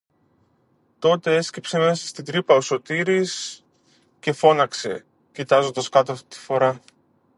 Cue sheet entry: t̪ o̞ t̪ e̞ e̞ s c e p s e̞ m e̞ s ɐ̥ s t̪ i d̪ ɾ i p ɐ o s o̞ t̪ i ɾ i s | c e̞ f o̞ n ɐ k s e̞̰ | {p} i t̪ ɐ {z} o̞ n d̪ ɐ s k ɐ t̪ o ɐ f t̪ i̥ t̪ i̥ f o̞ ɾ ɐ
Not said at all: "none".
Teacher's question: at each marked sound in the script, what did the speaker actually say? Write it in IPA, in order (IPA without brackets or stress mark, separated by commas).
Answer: c, z